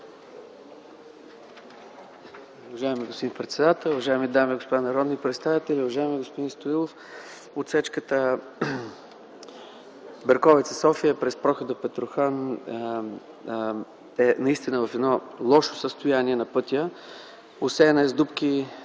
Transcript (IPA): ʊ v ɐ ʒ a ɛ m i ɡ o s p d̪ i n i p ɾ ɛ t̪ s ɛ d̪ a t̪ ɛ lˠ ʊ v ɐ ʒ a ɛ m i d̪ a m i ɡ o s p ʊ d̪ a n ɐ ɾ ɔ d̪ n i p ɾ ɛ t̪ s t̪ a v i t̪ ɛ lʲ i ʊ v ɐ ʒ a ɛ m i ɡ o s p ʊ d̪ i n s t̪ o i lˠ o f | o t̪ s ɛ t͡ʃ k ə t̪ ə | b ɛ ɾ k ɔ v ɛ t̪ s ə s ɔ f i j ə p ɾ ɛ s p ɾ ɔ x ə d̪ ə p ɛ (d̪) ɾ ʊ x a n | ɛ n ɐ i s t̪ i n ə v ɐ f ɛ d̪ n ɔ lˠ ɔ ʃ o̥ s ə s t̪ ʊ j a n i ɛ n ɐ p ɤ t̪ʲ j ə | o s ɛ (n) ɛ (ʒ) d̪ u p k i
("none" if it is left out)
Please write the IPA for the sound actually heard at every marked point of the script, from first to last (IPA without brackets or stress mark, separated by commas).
t̪, n, z